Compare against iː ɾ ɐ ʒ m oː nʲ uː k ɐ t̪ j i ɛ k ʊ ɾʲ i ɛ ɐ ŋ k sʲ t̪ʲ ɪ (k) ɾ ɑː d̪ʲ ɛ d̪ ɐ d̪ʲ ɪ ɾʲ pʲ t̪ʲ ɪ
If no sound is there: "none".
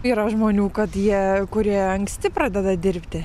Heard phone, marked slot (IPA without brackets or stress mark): p